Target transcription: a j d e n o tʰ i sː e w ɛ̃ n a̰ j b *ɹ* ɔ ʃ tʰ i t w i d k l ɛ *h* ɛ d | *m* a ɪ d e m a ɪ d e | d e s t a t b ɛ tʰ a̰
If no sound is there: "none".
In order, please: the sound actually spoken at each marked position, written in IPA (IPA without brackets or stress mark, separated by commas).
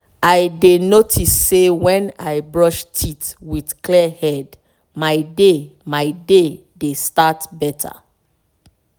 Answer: ɹ, h, m